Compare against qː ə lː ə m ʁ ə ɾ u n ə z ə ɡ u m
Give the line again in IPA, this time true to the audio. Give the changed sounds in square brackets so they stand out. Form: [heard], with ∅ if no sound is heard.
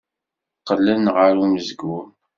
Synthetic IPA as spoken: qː ə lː ə [n] ʁ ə ɾ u [m] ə z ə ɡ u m